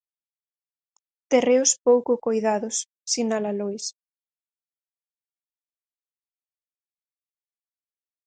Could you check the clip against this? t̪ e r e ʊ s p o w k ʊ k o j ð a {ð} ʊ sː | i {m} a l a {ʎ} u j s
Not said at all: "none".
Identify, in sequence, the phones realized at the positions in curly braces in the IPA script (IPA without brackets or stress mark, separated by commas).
ð, n, l